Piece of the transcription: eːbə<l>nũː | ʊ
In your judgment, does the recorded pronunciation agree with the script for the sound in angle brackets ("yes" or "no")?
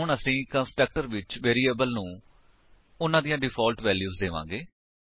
yes